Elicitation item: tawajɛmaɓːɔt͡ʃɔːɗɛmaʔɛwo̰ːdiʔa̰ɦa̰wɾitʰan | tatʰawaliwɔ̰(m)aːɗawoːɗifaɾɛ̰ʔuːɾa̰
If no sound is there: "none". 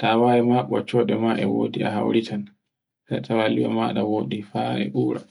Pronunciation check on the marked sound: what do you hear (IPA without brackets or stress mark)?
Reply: m